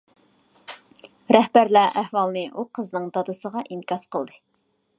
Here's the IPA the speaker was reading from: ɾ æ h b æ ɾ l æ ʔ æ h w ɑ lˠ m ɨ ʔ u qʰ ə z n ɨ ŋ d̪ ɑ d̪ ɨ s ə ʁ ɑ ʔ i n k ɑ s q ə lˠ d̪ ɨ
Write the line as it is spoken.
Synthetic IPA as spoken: ɾ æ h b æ ɾ l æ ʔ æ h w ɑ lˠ n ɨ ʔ u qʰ ə z n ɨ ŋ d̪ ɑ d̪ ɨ s ə ʁ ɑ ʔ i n k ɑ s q ə lˠ d̪ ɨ